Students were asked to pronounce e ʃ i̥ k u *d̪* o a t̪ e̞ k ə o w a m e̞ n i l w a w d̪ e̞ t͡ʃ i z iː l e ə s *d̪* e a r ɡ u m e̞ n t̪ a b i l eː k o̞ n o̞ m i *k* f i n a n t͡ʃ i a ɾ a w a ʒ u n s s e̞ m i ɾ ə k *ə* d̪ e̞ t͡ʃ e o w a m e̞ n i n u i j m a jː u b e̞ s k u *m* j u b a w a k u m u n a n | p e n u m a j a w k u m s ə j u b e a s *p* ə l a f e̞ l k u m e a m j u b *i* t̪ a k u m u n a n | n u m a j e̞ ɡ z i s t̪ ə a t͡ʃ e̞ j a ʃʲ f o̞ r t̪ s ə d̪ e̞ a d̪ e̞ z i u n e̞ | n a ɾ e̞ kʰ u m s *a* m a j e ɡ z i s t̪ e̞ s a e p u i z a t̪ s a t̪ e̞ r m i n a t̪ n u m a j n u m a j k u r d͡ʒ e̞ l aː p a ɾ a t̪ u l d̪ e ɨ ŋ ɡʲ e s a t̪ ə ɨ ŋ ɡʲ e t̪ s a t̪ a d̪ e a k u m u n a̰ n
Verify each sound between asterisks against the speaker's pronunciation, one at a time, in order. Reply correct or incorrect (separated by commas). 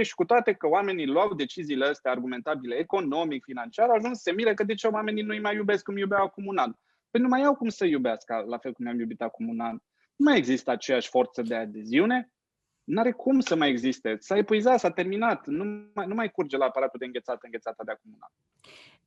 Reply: incorrect, incorrect, correct, correct, correct, incorrect, correct, incorrect